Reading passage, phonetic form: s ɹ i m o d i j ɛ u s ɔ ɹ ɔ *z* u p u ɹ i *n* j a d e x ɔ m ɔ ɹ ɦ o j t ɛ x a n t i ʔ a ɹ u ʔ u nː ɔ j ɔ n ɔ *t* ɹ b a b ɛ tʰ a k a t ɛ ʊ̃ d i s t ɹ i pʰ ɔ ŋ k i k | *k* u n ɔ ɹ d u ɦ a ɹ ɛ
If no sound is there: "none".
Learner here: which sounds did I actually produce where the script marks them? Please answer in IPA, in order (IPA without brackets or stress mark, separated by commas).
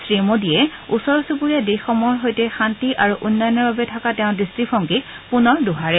s, none, none, p